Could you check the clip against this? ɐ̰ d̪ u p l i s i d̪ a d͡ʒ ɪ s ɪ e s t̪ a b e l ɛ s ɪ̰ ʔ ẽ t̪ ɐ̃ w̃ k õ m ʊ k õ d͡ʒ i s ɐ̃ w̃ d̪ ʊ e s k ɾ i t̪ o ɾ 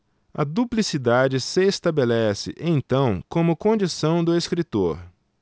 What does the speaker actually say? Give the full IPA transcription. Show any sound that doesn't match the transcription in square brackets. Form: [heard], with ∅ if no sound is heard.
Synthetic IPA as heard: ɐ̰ d̪ u p l i s i d̪ a d͡ʒ ɪ s ɪ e s t̪ a b e l ɛ s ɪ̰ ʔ ẽ t̪ ɐ̃ w̃ k õ m ʊ k õ d͡ʒ i s ɐ̃ w̃ d̪ ʊ e s k ɾ i t̪ o ɾ